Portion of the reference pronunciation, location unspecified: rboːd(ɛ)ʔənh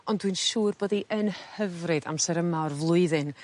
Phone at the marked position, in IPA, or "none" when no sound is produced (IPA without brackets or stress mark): i